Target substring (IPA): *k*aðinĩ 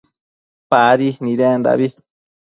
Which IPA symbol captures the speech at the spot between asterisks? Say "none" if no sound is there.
p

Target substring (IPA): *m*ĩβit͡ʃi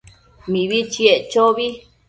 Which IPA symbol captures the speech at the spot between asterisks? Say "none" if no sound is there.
m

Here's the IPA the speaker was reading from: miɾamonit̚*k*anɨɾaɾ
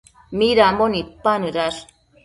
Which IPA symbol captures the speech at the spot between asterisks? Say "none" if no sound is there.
p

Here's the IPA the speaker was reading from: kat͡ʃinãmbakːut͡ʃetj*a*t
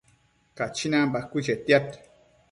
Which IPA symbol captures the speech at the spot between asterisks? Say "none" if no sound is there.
a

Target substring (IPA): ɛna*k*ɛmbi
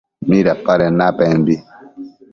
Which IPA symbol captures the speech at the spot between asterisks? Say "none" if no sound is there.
p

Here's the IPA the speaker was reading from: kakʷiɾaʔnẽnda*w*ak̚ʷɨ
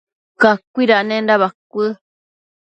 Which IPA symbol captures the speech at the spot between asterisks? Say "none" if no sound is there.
β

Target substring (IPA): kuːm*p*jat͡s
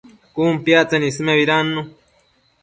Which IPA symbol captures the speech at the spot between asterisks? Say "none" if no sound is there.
p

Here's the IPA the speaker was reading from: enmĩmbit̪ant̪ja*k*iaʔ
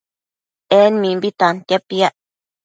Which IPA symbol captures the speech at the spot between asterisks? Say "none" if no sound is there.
p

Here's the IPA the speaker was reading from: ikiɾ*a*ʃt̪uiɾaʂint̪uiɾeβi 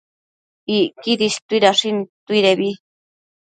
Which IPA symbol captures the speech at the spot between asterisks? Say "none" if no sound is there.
i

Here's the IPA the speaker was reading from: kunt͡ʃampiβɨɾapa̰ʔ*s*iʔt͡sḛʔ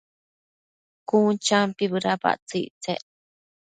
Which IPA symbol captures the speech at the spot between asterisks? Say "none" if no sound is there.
t͡s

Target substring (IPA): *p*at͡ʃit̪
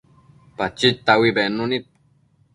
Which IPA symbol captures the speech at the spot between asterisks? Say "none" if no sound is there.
p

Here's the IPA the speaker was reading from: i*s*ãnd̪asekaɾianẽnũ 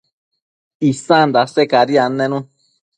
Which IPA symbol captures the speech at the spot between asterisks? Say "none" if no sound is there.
s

